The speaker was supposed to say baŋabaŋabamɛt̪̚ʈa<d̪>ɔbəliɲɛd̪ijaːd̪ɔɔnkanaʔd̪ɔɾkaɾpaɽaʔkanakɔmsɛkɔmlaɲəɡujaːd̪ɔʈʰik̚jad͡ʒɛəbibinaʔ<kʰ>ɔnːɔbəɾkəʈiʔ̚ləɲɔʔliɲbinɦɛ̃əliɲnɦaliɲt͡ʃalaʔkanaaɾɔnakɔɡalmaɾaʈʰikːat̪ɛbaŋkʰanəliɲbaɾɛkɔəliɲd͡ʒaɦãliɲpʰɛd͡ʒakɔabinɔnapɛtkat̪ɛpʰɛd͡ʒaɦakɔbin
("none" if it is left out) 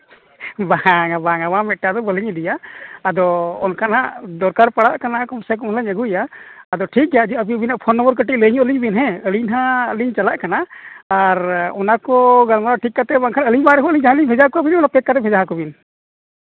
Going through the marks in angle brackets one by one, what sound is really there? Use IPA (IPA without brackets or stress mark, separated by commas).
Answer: d̪, pʰ